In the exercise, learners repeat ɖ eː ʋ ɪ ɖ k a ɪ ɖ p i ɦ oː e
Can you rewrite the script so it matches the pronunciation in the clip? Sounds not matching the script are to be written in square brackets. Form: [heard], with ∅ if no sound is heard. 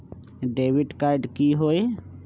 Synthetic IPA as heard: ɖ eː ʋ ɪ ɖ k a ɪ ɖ [k] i ɦ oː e